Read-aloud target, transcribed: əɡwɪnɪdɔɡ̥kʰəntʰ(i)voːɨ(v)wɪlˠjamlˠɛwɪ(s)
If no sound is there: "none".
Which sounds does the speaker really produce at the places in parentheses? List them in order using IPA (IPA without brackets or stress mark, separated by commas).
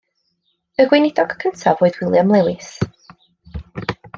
a, ð, s